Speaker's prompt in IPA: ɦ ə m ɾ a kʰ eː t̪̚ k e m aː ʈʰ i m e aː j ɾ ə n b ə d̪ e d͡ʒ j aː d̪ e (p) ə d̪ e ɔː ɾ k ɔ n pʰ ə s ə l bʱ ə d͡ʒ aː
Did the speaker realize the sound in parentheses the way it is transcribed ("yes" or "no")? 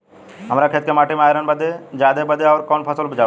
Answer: no